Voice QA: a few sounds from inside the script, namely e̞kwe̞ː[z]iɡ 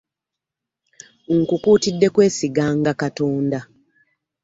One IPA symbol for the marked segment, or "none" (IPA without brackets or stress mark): s